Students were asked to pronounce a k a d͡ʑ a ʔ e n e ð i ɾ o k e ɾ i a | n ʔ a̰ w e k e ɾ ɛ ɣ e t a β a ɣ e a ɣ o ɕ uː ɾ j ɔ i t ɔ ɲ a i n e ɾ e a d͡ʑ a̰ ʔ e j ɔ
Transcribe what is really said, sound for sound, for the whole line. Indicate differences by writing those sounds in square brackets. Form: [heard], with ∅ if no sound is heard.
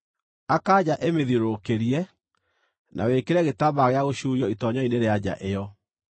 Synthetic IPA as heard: a k a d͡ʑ a ʔ e [m] e ð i ɾ o k e ɾ i [ɛ] | n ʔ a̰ w e k e ɾ ɛ ɣ e t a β a ɣ e a ɣ o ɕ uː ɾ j ɔ i t ɔ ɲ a i n e ɾ e a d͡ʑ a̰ ʔ e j ɔ